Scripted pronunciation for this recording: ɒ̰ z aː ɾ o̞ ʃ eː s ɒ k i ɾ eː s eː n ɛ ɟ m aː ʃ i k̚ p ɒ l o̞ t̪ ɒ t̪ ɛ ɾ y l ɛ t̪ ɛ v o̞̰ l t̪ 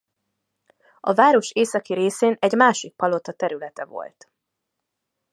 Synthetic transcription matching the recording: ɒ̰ v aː ɾ o̞ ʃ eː s ɒ k i ɾ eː s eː n ɛ ɟ m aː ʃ i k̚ p ɒ l o̞ t̪ ɒ t̪ ɛ ɾ y l ɛ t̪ ɛ v o̞̰ l t̪